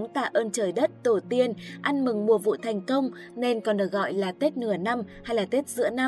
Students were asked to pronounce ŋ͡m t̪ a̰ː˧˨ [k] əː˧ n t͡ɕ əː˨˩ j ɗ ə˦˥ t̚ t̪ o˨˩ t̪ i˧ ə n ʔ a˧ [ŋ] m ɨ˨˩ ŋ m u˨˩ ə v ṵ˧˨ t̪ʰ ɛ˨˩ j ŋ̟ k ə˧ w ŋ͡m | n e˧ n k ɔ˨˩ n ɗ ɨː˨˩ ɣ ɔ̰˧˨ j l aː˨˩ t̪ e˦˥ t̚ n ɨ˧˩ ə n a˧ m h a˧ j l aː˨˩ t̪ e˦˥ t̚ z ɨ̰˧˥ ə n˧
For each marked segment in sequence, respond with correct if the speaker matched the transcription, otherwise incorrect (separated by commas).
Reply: incorrect, incorrect